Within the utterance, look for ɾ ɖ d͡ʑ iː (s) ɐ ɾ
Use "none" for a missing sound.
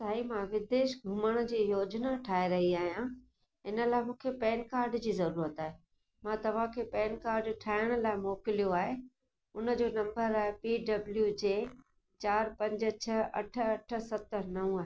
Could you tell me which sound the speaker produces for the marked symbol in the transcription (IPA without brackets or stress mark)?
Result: z